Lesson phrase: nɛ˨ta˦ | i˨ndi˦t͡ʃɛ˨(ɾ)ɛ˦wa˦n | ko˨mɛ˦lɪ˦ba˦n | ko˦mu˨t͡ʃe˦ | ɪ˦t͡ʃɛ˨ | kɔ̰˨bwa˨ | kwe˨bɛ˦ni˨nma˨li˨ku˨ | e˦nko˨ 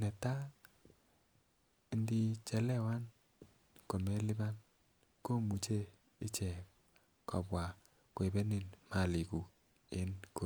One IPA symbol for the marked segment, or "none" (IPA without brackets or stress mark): l